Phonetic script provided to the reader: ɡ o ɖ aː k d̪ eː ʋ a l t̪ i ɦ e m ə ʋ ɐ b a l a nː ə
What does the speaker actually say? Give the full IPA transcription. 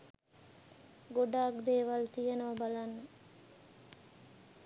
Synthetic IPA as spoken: ɡ o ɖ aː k d̪ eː ʋ a l t̪ i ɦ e n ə ʋ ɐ b a l a nː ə